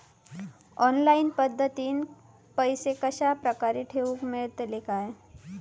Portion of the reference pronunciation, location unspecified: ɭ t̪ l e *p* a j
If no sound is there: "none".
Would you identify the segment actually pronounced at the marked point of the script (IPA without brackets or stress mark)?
k